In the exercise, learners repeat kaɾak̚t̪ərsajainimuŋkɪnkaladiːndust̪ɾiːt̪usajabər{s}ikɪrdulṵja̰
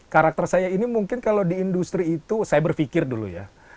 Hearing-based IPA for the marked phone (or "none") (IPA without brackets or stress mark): f